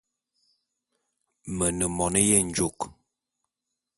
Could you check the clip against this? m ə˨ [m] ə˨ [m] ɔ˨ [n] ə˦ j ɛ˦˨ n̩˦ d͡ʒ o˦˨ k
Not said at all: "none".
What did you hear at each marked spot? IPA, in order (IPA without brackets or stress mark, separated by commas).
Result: n, m, n